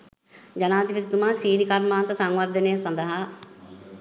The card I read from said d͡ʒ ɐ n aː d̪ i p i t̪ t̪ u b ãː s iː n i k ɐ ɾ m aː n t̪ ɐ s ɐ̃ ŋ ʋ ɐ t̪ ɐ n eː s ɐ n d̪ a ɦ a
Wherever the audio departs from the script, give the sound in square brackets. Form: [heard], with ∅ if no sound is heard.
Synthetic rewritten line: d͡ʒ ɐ n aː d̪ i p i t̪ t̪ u [m] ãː s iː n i k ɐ ɾ m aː n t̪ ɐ s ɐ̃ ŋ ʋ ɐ [d̪] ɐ n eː s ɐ n d̪ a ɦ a